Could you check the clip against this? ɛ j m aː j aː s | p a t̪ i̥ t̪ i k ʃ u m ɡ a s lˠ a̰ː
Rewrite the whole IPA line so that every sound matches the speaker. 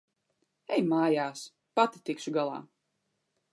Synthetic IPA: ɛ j m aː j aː s | p a t̪ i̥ t̪ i k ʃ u ɡ a lˠ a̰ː

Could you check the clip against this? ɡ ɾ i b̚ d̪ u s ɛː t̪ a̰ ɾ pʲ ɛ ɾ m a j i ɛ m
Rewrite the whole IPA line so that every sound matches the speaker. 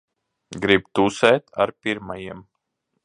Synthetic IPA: ɡ ɾ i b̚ t̪ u s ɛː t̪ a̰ ɾ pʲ i ɾ m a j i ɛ m

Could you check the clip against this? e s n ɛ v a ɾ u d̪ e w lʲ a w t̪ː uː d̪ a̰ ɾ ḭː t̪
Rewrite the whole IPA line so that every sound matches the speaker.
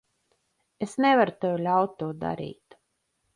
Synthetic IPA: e s n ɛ v a ɾ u t̪ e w lʲ a w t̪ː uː d̪ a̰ ɾ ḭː t̪

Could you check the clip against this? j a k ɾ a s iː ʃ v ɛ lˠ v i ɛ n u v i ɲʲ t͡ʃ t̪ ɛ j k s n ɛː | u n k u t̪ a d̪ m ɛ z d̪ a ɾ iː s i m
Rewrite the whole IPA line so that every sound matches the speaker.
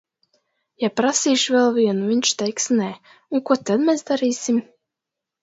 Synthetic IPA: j a p ɾ a s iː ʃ v ɛ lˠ v i ɛ n u v i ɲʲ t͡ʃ t̪ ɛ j k s n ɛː | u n k u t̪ a d̪ m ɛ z d̪ a ɾ iː s i m

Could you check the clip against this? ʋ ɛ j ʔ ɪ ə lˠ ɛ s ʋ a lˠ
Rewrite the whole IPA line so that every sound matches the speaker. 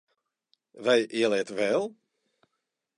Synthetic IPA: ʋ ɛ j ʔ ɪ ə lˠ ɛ t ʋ ɛ lˠ

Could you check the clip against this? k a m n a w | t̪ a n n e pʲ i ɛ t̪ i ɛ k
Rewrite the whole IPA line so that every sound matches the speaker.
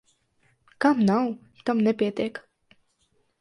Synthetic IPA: k a m n a w | t̪ a m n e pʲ i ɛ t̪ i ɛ k

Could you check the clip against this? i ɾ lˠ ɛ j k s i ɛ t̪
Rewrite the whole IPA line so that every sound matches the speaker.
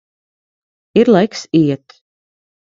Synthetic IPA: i ɾ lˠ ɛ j k s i ɛ t̪

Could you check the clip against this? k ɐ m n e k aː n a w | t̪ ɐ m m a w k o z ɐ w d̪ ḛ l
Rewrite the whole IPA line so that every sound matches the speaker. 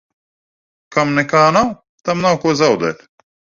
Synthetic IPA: k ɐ m n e k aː n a w | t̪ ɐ m n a w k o z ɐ w d̪ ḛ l

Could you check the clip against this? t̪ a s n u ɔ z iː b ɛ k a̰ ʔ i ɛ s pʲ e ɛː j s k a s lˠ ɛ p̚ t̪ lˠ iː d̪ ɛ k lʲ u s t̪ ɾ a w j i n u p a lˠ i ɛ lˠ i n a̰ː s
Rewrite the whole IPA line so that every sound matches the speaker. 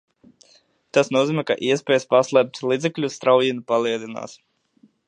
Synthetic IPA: t̪ a s n u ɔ z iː m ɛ k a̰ ʔ i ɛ s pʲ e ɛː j s p a s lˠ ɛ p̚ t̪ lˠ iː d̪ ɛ k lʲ u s t̪ ɾ a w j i n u p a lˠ i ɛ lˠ i n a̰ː s

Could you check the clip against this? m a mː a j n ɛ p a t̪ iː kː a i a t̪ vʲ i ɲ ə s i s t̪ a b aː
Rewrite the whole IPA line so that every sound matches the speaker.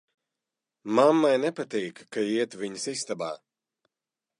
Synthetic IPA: m a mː a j n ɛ p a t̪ iː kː a i ɛ t̪ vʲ i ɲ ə s i s t̪ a b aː

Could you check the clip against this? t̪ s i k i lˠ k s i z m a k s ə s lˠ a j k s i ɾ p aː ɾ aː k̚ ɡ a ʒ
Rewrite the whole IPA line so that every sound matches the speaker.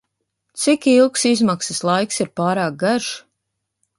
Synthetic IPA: t̪ s i k i lˠ k s i z m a k s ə s lˠ a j k s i ɾ p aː ɾ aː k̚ ɡ a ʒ

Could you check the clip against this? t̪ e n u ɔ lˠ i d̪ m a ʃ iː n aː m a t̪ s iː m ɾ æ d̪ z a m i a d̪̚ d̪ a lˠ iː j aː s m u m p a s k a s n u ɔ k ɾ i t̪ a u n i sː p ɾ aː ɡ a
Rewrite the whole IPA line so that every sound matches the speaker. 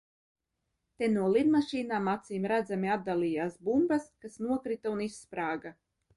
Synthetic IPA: t̪ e n u ɔ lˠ i d̪ m a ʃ iː n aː m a t̪ s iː m ɾ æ d̪ z a m i a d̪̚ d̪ a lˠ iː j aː s b u m b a s k a s n u ɔ k ɾ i t̪ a u n i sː p ɾ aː ɡ a

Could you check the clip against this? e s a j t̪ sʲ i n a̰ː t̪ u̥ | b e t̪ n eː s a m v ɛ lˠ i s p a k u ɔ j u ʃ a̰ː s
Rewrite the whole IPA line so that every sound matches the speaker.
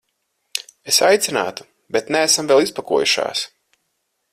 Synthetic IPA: e s a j t̪ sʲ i n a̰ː t̪ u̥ | b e t̪ n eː s a m v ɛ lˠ i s p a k u ɔ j u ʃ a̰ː s

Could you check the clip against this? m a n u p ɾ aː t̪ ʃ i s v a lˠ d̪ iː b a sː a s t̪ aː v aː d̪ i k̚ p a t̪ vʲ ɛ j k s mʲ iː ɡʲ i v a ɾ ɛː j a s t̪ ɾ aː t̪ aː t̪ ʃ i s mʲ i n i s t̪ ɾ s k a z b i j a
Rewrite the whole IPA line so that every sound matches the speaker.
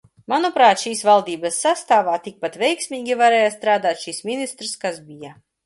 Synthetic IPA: m a n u p ɾ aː t̪ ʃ iː s v a lˠ d̪ iː b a sː a s t̪ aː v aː t̪ i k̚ p a t̪ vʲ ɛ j k s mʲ iː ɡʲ i v a ɾ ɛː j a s t̪ ɾ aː d̪ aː t̪ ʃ i s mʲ i n i s t̪ ɾ s k a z b i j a

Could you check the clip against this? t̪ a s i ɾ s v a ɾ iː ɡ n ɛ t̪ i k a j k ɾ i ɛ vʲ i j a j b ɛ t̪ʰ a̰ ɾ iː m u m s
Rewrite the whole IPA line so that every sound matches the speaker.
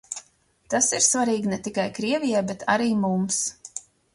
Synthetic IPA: t̪ a s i ɾ s v a ɾ iː ɡ n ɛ t̪ i k a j k ɾ i ɛ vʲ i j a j b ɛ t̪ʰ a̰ ɾ iː m u m s

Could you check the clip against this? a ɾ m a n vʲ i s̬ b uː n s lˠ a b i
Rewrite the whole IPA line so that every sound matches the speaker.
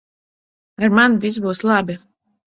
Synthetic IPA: a ɾ m a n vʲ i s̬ b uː s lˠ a b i

